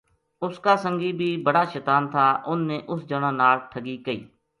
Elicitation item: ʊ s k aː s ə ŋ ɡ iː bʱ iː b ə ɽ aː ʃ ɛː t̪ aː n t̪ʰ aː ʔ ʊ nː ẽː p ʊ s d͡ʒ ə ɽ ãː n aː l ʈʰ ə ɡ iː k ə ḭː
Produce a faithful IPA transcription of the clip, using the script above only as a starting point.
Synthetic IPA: ʊ s k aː s ə ŋ ɡ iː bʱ iː b ə ɽ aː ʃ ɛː t̪ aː n t̪ʰ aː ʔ ʊ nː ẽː ʔ ʊ s d͡ʒ ə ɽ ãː n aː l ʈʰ ə ɡ iː k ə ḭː